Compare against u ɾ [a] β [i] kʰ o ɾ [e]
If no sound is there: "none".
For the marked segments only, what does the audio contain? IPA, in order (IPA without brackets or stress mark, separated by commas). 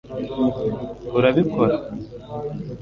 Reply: a, i, a